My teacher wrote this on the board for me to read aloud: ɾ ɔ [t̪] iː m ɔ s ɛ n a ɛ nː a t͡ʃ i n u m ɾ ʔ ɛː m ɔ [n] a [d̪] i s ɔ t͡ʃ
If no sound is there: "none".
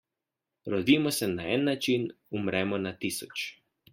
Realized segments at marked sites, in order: d̪, n, t̪

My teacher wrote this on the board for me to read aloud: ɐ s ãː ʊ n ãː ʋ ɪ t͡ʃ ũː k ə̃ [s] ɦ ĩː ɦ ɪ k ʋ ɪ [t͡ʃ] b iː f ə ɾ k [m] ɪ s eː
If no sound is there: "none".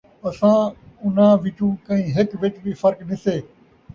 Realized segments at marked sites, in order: none, t͡ʃ, n

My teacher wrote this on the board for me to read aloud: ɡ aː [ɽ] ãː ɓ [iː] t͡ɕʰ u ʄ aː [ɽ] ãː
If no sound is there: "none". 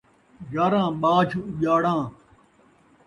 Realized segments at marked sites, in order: ɾ, aː, ɽ

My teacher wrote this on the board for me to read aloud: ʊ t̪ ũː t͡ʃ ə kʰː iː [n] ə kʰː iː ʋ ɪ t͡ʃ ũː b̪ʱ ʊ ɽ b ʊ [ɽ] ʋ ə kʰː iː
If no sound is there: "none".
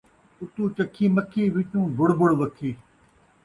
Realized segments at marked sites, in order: m, ɽ

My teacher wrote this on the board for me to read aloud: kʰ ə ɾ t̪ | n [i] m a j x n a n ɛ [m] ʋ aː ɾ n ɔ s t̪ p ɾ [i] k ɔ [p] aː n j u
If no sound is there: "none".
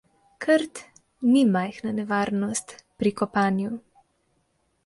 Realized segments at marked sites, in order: i, none, i, p

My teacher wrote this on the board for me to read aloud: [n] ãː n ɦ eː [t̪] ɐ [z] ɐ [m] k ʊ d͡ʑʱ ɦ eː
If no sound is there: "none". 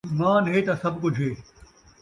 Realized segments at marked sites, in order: m, t̪, s, b

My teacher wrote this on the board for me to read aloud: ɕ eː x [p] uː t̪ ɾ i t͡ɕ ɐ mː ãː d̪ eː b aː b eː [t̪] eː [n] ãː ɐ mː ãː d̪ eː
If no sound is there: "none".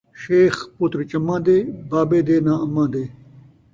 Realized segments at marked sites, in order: p, d̪, n

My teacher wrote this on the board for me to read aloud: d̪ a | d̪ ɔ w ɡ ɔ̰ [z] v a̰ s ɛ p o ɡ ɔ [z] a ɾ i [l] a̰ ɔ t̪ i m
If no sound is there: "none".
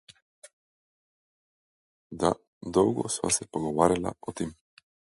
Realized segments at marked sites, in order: s, v, l

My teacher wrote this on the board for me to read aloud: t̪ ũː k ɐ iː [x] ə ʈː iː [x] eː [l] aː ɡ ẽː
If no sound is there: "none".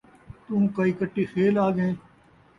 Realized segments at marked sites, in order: k, x, l

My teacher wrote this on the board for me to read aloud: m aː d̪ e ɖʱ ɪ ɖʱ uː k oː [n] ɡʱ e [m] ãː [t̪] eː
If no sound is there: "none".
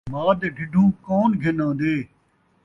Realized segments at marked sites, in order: n, n, d̪

